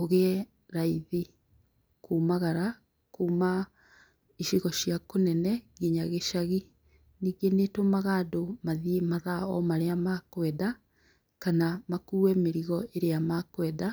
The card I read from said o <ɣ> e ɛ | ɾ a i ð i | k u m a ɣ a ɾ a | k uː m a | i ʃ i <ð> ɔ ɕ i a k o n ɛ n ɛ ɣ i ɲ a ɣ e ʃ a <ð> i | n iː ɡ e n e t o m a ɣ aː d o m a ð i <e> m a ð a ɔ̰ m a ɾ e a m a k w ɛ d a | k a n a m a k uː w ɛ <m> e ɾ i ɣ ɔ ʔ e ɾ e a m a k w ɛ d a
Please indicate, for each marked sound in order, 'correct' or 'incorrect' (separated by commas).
correct, incorrect, incorrect, correct, correct